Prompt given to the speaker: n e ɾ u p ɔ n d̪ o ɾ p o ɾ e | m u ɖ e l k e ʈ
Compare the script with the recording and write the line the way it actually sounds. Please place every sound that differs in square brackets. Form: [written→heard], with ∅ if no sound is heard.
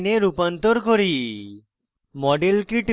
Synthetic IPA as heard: n e ɾ u p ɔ n [d̪→t̪] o ɾ [p→k] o ɾ [e→i] | m [u→ɔ] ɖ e l k [e→i] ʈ